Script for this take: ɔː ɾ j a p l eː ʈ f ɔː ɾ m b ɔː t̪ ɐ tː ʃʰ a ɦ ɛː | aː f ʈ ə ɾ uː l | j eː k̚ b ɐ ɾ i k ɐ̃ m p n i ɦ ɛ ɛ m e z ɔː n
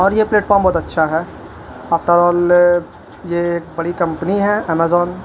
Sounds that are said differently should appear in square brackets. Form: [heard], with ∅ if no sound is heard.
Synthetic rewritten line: ɔː ɾ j [e] p l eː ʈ f ɔː ɾ m b ɔː t̪ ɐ tː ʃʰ a ɦ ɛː | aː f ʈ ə ɾ [ɔː] l | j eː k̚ b ɐ [ɽ] i k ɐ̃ m p n i ɦ ɛ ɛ m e z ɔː n